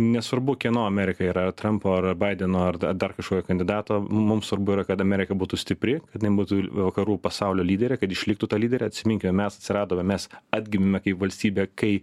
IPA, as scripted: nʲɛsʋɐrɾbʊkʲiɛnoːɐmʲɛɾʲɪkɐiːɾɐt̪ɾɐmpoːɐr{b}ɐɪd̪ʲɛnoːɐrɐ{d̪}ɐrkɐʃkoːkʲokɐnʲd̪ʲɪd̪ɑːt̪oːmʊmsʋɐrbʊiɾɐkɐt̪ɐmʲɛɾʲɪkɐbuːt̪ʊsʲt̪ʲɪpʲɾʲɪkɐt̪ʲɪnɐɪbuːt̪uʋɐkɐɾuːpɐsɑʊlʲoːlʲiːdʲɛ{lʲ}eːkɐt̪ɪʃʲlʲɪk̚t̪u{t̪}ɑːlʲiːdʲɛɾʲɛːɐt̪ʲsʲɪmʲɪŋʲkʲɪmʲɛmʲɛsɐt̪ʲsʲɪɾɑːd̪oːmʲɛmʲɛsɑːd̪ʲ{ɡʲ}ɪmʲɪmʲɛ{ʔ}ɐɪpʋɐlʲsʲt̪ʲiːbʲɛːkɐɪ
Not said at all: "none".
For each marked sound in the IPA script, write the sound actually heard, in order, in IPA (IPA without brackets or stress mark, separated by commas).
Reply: b, d̪, ɾʲ, t̪, ɡʲ, k